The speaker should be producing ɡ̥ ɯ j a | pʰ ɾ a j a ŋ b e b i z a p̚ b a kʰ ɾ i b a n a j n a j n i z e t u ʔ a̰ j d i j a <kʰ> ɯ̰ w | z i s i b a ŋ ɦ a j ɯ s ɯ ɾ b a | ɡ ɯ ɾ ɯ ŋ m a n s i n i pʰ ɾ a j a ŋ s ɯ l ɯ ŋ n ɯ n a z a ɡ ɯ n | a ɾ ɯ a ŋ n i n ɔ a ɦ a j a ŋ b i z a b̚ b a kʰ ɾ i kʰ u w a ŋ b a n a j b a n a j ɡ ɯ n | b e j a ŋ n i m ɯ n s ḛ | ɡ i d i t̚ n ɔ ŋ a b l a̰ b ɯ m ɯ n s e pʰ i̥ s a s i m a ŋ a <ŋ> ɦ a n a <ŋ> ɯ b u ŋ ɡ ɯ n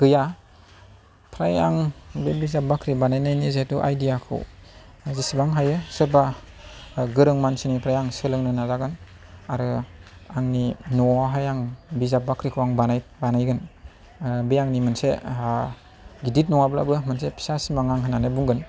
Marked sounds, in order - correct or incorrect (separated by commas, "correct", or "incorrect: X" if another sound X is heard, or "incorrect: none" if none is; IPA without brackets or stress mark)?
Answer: correct, correct, incorrect: n